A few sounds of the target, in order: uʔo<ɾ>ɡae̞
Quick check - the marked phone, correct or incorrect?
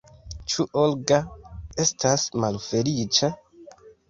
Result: incorrect